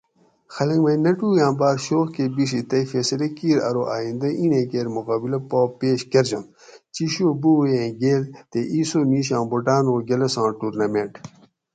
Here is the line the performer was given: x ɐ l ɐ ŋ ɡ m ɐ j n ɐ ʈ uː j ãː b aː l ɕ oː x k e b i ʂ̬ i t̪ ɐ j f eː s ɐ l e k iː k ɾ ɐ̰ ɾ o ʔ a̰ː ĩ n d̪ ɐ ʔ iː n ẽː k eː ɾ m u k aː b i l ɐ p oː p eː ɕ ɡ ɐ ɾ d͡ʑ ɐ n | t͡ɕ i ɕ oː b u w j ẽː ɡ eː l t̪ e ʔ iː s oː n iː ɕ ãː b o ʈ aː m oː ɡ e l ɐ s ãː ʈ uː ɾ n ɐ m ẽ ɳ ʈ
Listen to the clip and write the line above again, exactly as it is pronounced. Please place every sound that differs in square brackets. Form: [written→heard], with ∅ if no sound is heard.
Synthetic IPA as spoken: x ɐ l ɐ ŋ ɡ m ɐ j n ɐ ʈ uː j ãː b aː [l→ɾ] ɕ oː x k e b i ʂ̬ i t̪ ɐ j f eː s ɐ l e k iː [k→∅] ɾ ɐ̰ ɾ o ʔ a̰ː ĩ n d̪ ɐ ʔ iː n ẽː k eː ɾ m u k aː b i l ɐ p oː p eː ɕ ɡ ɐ ɾ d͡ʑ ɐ n | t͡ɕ i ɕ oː b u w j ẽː ɡ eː l t̪ e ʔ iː s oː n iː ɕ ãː b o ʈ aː [m→n] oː ɡ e l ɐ s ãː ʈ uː ɾ n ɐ m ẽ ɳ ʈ